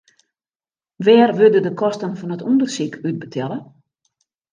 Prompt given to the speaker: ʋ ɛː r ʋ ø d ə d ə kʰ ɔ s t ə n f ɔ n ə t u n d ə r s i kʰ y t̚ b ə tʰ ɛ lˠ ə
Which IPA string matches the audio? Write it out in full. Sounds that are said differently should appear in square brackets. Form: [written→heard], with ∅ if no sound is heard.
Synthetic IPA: ʋ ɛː r ʋ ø d ə d ə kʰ ɔ s t ə n f ɔ n ə t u n d ə r s i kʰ y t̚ b ə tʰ ɛ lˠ ə

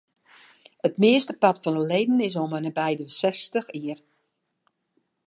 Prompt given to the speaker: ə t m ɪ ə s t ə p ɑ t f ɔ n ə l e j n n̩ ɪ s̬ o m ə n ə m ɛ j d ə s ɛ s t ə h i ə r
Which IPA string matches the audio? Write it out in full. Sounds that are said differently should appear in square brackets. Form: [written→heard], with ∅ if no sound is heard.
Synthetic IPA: ə t m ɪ ə s t ə p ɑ t f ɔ n ə l e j [n→d] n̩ ɪ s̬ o m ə n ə [m→b] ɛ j d ə s ɛ s t ə [h→x] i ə r

